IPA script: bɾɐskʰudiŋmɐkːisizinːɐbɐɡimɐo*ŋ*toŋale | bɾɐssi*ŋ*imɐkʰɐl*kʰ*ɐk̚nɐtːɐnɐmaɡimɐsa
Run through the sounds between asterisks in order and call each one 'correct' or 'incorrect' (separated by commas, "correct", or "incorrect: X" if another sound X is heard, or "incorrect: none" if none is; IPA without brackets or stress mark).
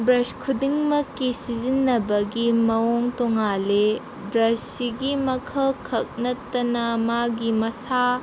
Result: correct, incorrect: ɡ, correct